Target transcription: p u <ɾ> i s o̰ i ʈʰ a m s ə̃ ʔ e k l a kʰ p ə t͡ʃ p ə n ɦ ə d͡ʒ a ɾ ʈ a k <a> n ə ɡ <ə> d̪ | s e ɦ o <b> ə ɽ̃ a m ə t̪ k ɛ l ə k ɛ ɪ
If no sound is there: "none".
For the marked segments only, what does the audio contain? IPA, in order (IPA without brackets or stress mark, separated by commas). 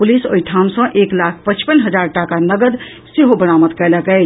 l, a, ə, b